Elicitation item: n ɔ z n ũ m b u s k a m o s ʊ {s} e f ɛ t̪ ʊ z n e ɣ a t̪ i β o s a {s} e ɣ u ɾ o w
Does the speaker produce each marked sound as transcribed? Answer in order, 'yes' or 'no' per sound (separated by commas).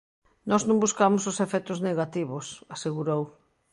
yes, yes